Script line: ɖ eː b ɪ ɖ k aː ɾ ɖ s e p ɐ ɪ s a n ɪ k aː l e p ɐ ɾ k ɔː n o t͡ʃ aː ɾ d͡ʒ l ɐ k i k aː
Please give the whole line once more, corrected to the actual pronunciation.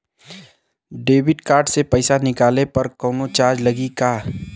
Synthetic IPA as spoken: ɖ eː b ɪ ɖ k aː ɾ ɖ s e p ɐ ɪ s a n ɪ k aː l e p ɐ ɾ k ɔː n o t͡ʃ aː ɾ d͡ʒ l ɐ ɡ i k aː